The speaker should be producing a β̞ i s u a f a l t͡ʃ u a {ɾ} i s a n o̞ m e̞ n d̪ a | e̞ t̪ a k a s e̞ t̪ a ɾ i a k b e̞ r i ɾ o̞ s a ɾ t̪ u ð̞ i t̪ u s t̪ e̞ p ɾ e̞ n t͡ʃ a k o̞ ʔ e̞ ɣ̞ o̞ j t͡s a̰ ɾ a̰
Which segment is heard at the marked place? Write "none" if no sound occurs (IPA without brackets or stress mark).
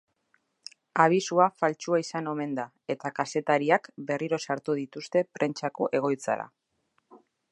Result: none